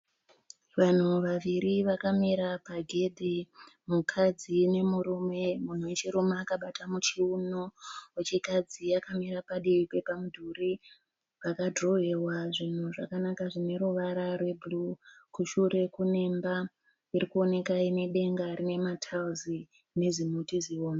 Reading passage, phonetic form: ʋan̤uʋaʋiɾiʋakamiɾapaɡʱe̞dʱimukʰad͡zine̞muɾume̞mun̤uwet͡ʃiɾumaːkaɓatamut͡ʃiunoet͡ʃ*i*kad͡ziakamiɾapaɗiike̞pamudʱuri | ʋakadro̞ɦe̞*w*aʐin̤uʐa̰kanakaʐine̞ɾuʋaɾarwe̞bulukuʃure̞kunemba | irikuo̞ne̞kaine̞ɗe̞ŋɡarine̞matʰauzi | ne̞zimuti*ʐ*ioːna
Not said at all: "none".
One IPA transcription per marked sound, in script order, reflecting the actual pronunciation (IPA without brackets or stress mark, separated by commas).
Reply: i, w, z